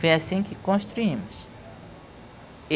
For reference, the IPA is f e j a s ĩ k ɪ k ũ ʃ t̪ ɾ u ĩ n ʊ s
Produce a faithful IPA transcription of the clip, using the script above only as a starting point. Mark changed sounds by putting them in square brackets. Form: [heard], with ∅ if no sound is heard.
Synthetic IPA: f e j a s ĩ k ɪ k [õ] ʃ t̪ ɾ u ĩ [m] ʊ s